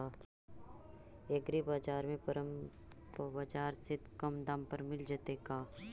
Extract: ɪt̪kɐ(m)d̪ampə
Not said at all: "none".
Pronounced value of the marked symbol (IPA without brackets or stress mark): m